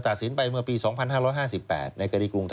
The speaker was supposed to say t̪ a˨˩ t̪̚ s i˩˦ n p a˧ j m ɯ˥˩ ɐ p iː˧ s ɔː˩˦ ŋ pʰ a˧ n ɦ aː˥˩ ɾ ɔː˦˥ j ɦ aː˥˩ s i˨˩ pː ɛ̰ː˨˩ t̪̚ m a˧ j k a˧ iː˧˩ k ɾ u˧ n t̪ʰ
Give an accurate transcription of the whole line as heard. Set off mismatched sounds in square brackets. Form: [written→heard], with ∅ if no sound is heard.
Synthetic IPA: t̪ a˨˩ t̪̚ s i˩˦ n p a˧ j m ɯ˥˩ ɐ p iː˧ s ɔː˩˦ ŋ pʰ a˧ n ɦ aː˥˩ ɾ ɔː˦˥ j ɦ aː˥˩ s i˨˩ pː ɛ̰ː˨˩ t̪̚ [m→n] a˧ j k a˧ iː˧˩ k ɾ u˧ [n→ŋ] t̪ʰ